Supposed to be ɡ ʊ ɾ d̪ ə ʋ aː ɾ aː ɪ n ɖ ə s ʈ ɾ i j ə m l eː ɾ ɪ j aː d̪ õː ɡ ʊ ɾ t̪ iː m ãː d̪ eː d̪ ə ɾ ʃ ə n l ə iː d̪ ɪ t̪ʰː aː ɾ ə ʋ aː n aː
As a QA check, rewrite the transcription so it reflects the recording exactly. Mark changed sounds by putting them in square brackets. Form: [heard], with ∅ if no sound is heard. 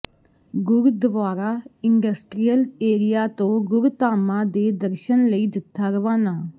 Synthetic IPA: ɡ ʊ ɾ d̪ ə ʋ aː ɾ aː ɪ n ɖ ə s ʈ ɾ i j ə [∅] l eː ɾ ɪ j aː [t̪] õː ɡ ʊ ɾ t̪ [aː] m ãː d̪ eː d̪ ə ɾ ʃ ə n l ə iː d̪ ɪ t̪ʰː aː ɾ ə ʋ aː n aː

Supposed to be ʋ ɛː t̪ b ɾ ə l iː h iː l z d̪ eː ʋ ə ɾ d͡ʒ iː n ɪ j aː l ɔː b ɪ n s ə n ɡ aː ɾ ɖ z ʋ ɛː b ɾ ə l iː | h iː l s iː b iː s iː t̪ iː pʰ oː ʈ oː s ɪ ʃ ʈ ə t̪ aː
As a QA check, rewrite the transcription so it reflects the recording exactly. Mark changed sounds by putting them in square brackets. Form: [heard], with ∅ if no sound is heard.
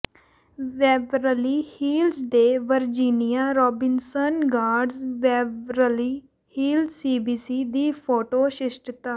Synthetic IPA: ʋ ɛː [∅] b ɾ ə l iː h iː l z d̪ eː ʋ ə ɾ d͡ʒ iː n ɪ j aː [ɾ] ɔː b ɪ n s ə n ɡ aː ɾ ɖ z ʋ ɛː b ɾ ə l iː | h iː l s iː b iː s iː [d̪] iː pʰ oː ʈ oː [ʃ] ɪ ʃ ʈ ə t̪ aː

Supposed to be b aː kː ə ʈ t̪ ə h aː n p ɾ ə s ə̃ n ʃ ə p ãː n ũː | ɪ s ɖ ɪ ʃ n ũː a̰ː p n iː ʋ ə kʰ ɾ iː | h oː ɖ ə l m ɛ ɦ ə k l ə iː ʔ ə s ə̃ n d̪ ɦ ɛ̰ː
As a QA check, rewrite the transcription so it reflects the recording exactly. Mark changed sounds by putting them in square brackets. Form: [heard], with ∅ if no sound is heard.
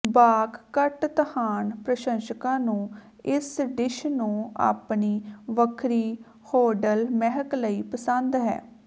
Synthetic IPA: b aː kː ə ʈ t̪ ə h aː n p ɾ ə [ʃ] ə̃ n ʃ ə [k] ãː n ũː | ɪ s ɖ ɪ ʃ n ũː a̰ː p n iː ʋ ə kʰ ɾ iː | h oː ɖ ə l m ɛ ɦ ə k l ə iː [p] ə s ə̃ n d̪ ɦ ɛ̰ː

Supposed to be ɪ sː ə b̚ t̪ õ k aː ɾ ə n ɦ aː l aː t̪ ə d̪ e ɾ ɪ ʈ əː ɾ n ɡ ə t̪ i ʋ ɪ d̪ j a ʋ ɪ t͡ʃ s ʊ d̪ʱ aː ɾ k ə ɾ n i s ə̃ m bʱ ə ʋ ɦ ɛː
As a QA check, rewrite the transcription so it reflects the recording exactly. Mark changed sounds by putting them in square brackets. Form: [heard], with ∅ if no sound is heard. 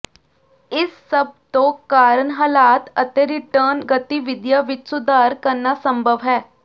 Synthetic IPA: ɪ sː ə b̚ t̪ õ k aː ɾ ə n ɦ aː l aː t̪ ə [t̪] e ɾ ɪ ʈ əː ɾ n ɡ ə t̪ i ʋ ɪ d̪ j a ʋ ɪ t͡ʃ s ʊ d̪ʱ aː ɾ k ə ɾ n [a] s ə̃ m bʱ ə ʋ ɦ ɛː

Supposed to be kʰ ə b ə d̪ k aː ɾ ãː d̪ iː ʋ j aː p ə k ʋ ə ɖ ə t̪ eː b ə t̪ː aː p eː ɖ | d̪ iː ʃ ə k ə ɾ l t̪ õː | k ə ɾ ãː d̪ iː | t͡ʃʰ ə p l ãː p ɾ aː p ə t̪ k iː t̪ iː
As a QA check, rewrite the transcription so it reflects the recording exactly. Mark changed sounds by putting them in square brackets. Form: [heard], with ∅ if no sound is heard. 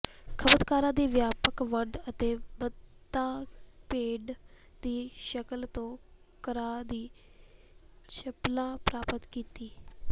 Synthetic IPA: kʰ ə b ə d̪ k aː ɾ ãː d̪ iː ʋ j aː p ə k ʋ ə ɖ ə t̪ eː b ə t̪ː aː p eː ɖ | d̪ iː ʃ ə k ə [∅] l t̪ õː | k ə ɾ [aː] d̪ iː | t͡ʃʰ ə p l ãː p ɾ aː p ə t̪ k iː t̪ iː

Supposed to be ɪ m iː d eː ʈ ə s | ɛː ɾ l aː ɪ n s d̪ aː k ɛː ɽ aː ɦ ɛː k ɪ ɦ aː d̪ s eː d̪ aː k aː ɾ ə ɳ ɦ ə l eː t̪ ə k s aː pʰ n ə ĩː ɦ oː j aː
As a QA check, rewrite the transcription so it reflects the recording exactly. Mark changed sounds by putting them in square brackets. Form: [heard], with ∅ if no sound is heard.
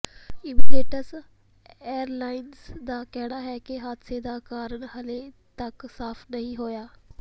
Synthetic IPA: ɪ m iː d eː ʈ ə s | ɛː ɾ l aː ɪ n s d̪ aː k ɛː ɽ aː ɦ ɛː k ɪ ɦ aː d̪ s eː d̪ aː k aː ɾ ə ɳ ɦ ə l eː t̪ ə k s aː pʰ n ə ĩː ɦ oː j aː

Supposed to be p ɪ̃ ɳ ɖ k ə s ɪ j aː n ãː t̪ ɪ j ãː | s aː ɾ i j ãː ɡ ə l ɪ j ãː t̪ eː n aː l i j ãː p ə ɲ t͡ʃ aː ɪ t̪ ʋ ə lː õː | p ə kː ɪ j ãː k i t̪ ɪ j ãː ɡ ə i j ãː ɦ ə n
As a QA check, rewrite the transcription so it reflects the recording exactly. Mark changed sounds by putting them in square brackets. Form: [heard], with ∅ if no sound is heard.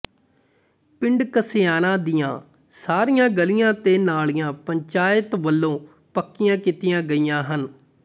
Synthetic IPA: p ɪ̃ ɳ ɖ k ə s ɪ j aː n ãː [d̪] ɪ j ãː | s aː ɾ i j ãː ɡ ə l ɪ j ãː t̪ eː n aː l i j ãː p ə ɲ t͡ʃ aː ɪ t̪ ʋ ə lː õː | p ə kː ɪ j ãː k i t̪ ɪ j ãː ɡ ə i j ãː ɦ ə n

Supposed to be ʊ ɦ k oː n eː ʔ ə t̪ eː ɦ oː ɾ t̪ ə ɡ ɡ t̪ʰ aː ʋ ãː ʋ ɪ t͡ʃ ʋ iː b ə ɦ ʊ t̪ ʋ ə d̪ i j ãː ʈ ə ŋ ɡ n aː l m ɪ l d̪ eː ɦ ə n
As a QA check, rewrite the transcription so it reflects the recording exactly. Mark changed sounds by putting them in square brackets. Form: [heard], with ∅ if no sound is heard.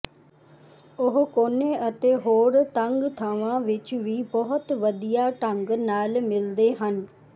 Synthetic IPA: ʊ ɦ k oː n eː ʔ ə t̪ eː ɦ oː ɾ t̪ ə [ŋ] ɡ t̪ʰ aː ʋ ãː ʋ ɪ t͡ʃ ʋ iː b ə ɦ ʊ t̪ ʋ ə d̪ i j [aː] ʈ ə ŋ ɡ n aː l m ɪ l d̪ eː ɦ ə n

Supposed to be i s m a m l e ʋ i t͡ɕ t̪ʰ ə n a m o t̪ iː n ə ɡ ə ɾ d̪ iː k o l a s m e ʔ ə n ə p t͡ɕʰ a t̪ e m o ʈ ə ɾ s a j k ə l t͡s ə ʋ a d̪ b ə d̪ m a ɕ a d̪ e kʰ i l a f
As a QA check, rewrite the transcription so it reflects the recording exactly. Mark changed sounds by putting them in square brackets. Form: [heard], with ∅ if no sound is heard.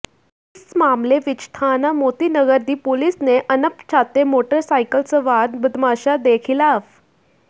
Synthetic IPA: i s m a m l e ʋ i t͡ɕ t̪ʰ [a] n a m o t̪ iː n ə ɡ ə ɾ d̪ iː [p] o l [i] s [n] e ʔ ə n ə p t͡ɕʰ a t̪ e m o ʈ ə ɾ s a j k ə l t͡s ə ʋ a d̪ b ə d̪ m a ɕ a d̪ e kʰ i l a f

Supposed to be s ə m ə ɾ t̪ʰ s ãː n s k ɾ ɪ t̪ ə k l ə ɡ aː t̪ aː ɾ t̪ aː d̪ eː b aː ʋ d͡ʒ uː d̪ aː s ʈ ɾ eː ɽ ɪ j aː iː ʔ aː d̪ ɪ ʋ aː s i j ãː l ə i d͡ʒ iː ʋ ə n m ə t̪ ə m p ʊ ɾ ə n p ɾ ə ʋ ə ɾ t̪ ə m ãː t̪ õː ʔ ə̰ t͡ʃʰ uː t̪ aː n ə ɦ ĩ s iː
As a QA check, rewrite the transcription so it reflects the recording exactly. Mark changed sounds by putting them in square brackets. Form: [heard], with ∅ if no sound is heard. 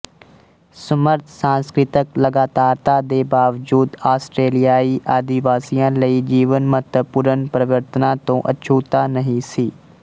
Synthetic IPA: s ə m ə ɾ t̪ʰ s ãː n s k ɾ ɪ t̪ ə k l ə ɡ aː t̪ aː ɾ t̪ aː d̪ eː b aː ʋ d͡ʒ uː d̪ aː s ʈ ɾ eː [l] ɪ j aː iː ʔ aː d̪ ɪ ʋ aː s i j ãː l ə i d͡ʒ iː ʋ ə n m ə t̪ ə [∅] p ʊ ɾ ə n p ɾ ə ʋ ə ɾ t̪ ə [n] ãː t̪ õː ʔ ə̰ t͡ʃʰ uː t̪ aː n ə ɦ ĩ s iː

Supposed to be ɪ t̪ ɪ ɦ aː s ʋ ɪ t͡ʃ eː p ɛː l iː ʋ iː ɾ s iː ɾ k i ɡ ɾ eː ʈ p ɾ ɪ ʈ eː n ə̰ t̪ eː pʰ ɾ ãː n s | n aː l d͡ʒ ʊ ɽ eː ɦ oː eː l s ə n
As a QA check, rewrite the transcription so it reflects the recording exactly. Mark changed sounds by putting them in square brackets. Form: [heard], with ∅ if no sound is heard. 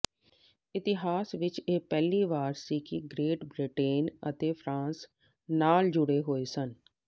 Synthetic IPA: ɪ t̪ ɪ ɦ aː s ʋ ɪ t͡ʃ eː p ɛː l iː ʋ [aː] ɾ s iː [∅] k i ɡ ɾ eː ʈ [b] ɾ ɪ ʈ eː n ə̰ t̪ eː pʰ ɾ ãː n s | n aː l d͡ʒ ʊ ɽ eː ɦ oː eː [∅] s ə n

